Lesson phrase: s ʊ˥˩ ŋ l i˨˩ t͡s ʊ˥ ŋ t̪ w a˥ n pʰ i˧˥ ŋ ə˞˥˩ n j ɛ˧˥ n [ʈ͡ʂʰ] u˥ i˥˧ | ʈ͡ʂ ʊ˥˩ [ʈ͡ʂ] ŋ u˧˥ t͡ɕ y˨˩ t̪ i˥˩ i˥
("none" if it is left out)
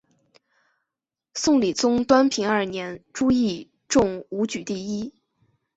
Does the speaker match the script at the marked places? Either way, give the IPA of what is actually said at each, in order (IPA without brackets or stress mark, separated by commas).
ʈ͡ʂ, none